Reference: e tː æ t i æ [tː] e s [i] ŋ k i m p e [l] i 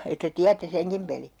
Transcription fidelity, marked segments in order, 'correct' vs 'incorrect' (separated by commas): correct, incorrect, correct